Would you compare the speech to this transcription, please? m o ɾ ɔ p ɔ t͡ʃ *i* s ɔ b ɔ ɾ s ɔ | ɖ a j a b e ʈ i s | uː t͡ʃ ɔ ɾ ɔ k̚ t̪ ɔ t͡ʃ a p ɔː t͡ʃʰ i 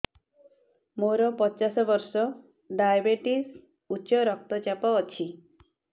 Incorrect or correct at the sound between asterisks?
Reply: incorrect: a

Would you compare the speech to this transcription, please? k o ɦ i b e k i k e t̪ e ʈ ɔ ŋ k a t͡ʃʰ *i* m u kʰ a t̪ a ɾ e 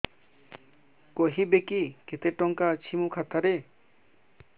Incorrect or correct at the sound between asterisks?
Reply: correct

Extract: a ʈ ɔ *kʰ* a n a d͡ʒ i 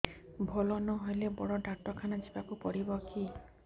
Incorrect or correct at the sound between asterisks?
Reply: correct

